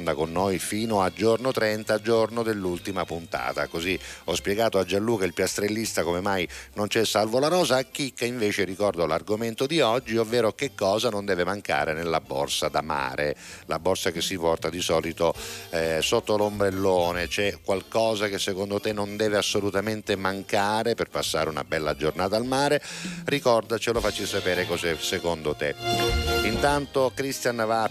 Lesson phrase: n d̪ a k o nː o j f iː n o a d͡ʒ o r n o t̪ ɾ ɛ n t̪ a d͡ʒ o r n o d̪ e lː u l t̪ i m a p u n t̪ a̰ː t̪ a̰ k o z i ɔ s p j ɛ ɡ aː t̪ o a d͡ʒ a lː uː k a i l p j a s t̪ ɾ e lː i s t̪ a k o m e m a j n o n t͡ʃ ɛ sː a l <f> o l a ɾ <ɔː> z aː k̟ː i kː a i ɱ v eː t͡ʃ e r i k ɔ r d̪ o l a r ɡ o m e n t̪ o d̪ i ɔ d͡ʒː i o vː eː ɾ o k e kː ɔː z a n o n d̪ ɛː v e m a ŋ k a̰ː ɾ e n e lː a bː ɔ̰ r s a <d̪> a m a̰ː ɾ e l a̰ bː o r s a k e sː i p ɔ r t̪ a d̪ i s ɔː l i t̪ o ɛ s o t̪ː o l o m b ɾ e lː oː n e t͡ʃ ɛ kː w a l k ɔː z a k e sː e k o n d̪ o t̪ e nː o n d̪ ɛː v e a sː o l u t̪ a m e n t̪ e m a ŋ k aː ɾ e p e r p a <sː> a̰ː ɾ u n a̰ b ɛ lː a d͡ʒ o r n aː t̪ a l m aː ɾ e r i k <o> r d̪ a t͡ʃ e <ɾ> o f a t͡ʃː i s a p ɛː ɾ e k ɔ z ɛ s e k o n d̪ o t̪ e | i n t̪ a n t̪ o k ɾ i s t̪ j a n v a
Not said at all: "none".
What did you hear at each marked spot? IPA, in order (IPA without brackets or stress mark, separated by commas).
v, ɔː, d̪, sː, ɔ, l